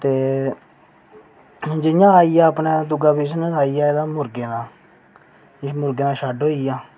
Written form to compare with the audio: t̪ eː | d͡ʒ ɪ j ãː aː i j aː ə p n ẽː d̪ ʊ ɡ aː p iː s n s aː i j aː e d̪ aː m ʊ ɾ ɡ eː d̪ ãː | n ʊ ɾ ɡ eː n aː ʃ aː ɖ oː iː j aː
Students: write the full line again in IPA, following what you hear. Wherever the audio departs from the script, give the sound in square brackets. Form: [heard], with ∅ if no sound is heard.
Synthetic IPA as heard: t̪ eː | d͡ʒ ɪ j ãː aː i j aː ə p n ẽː d̪ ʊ ɡ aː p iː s n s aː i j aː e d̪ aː m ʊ ɾ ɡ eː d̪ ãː | [m] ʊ ɾ ɡ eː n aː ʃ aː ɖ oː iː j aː